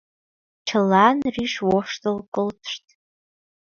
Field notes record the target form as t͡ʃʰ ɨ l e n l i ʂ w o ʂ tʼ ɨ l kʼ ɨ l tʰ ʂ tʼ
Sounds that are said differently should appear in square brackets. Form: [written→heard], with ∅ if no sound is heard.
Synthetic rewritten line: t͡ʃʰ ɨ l [e→a] n [l→r] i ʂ w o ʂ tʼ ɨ l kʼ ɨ l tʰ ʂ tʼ